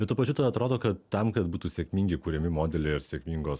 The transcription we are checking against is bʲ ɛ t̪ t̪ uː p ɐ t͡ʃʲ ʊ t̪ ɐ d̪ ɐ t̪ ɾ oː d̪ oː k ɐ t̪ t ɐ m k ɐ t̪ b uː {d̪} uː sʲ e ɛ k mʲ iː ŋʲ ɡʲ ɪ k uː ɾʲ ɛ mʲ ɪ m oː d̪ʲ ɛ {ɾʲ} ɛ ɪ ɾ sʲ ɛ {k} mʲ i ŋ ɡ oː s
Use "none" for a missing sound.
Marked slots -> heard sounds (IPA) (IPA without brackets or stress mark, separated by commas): t̪, lʲ, k